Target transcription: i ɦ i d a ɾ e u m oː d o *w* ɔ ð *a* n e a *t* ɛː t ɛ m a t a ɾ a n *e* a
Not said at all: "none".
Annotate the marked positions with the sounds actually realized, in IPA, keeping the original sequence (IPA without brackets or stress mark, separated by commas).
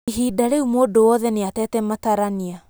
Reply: w, ɛ, t, i